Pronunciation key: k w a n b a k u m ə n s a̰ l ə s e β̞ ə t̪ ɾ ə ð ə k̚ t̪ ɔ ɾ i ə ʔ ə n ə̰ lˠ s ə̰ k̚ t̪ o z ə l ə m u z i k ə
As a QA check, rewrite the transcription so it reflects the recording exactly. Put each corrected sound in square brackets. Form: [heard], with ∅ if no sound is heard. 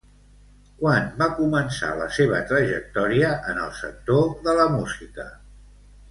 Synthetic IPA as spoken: k w a n b a k u m ə n s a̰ l ə s e β̞ ə t̪ ɾ ə [ʒ] ə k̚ t̪ ɔ ɾ i ə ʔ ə n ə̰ lˠ s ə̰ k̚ t̪ o [ð] ə l ə m u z i k ə